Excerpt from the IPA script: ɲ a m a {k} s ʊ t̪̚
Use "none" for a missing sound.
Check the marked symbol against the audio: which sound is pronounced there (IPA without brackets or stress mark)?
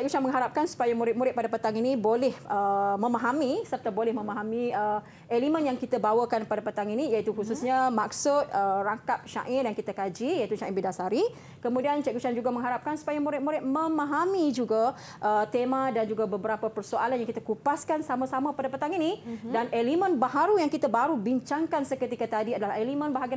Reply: k